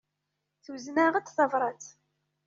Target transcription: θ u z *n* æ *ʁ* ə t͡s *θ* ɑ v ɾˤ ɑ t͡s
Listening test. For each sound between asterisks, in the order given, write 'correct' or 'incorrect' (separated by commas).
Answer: correct, correct, correct